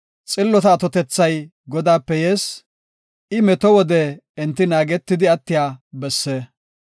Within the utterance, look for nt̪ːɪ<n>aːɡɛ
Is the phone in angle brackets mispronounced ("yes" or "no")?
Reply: no